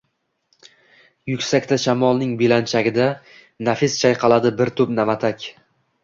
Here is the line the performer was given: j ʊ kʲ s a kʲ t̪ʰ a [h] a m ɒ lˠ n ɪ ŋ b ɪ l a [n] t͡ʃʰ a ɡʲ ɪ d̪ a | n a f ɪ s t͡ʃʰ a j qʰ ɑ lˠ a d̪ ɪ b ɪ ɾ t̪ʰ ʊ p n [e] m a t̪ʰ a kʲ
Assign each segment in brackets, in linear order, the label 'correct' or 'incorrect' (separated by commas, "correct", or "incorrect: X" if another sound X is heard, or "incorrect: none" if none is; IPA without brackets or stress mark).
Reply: incorrect: ʃ, correct, incorrect: a